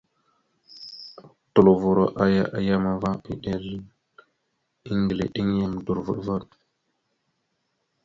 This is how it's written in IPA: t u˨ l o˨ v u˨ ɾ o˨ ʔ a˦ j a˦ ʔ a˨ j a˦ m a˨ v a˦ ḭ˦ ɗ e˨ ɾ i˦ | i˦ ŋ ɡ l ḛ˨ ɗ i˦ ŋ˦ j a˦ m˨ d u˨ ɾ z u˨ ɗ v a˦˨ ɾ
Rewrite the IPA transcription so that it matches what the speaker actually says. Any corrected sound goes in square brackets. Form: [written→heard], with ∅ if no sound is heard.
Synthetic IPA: t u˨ l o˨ v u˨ ɾ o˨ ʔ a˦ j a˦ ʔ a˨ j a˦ m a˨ v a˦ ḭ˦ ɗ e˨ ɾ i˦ | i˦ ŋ ɡ l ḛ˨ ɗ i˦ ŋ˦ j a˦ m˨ d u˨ ɾ [z→v] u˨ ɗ v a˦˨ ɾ